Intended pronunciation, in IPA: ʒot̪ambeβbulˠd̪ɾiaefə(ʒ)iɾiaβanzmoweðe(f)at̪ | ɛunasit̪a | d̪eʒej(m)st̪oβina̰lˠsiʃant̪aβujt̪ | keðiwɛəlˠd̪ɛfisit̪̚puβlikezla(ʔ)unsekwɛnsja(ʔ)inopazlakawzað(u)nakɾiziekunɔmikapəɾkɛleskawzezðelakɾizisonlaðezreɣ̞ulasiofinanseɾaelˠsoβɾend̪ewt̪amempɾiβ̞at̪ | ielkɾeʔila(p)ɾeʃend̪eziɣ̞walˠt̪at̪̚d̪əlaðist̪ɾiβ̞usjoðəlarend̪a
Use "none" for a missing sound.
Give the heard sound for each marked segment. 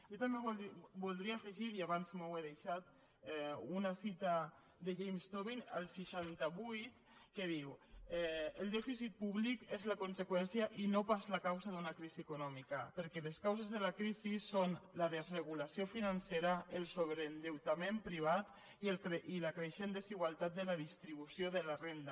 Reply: ʒ, ʃ, m, k, ʔ, u, k

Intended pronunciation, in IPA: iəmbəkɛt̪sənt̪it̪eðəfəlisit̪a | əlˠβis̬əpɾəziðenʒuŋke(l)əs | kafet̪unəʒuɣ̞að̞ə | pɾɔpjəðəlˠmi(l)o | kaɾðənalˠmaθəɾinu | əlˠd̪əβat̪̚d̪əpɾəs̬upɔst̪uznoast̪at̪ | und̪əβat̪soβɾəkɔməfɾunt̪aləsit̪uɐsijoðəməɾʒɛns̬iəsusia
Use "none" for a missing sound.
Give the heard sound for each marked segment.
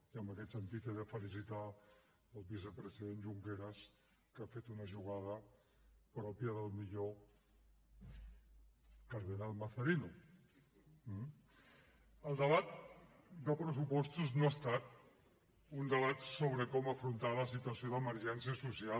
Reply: ɾ, ʎ

